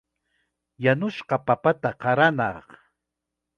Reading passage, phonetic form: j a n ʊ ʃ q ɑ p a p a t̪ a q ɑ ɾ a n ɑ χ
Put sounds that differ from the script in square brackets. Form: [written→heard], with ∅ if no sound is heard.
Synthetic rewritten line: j a n ʊ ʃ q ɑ p a p a t̪ a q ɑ ɾ a n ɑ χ